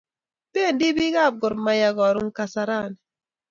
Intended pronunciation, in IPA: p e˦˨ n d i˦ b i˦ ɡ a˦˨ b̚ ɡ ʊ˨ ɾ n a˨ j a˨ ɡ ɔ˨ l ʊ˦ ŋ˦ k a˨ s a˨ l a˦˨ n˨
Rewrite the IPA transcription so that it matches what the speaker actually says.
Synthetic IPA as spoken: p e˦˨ n d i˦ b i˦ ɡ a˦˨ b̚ ɡ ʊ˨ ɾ m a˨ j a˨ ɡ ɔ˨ ɾ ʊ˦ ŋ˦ k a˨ s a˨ ɾ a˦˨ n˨